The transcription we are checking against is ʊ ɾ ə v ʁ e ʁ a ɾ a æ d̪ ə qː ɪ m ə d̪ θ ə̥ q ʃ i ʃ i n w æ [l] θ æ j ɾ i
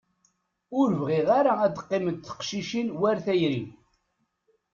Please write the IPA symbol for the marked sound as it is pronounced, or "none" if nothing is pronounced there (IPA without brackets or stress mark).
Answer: ɾ